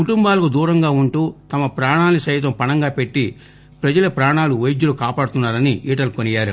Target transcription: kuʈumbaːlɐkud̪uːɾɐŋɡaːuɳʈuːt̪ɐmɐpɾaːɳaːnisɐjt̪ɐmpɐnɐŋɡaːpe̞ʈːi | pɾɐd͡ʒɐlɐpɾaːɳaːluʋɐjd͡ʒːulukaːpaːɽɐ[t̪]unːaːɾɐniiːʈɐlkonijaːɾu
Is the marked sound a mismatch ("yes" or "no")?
no